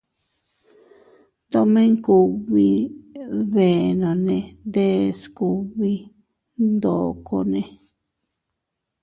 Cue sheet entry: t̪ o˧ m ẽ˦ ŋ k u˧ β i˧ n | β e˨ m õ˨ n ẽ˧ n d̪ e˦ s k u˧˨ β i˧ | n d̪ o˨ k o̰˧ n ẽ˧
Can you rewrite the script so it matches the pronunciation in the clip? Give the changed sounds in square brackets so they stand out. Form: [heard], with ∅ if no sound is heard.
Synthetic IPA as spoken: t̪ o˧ m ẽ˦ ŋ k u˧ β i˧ [∅] | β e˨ [n] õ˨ n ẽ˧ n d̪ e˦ s k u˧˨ β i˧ | n d̪ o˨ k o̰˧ n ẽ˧